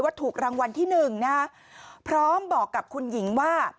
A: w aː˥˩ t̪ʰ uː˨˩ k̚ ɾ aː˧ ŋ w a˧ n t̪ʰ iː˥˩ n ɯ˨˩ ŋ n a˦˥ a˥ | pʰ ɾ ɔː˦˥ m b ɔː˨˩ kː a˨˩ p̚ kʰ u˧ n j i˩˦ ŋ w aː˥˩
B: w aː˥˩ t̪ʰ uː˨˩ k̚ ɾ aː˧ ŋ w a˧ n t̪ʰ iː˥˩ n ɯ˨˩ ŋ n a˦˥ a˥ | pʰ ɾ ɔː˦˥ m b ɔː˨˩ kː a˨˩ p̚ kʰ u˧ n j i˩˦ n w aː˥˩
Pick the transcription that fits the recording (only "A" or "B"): A